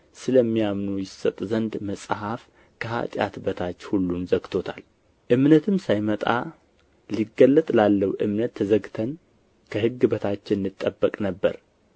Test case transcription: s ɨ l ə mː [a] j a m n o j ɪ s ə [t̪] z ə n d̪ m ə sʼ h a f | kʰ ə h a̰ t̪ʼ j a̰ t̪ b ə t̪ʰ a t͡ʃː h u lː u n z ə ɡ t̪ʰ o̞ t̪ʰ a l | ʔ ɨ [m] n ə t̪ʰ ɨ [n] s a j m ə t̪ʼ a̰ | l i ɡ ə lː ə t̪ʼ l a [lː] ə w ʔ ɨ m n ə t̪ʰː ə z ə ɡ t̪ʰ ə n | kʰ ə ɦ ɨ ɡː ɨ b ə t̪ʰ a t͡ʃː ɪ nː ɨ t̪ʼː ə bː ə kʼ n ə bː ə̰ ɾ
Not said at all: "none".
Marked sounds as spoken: i, t̪ʼ, m, m, lː

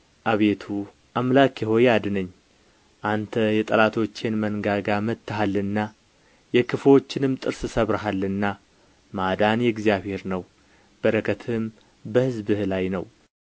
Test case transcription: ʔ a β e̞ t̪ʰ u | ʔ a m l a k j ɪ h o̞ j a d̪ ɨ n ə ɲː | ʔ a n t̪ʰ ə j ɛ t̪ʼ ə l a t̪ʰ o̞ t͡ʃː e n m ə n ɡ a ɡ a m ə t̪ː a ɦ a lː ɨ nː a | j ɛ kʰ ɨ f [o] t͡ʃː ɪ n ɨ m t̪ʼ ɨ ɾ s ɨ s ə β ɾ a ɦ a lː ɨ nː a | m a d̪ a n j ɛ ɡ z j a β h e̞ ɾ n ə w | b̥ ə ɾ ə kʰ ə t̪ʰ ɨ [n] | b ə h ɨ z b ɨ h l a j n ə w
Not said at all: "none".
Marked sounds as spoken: o, m

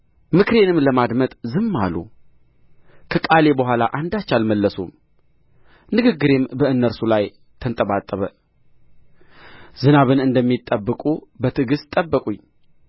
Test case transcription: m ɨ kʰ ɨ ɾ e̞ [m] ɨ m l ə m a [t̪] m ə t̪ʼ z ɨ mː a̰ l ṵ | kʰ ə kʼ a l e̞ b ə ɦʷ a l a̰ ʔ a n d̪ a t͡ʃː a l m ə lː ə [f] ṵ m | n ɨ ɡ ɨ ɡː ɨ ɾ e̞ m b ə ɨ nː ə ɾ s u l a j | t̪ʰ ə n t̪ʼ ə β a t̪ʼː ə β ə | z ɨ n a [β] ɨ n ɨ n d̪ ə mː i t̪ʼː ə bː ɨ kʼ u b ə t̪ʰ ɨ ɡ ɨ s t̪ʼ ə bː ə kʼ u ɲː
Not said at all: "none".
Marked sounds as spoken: n, d̪, s, β

